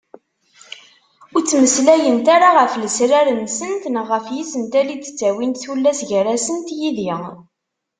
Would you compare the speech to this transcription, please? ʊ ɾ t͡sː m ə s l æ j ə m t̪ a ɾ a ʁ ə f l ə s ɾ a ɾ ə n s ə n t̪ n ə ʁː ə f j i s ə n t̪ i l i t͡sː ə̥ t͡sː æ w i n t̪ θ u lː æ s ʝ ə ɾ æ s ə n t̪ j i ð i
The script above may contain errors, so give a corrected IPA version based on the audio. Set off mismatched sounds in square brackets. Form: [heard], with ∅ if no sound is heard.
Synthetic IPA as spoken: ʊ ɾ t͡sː m ə s l æ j ə [n] t̪ a ɾ a ʁ ə f l ə s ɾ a ɾ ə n s ə n t̪ n ə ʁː ə f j i s ə n t̪ [æ] l i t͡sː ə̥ t͡sː æ w i n t̪ θ u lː æ s ʝ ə ɾ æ s ə n t̪ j i ð i